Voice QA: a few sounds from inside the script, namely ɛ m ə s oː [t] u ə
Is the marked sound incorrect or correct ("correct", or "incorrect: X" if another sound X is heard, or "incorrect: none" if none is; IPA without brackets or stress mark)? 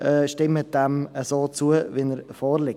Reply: incorrect: t͡s